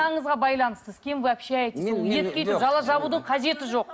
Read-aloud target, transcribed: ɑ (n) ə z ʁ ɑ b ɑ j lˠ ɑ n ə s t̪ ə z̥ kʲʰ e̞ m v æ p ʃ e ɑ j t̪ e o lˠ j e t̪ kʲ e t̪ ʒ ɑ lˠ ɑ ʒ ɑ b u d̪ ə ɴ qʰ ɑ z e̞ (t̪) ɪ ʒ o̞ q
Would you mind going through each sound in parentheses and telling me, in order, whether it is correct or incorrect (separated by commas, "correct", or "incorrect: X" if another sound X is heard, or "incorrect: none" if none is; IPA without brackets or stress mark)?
incorrect: ɴ, correct